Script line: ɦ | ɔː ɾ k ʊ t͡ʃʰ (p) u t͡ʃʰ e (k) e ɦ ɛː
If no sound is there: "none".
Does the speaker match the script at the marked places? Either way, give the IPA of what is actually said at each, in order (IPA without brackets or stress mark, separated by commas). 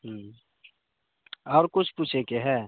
p, k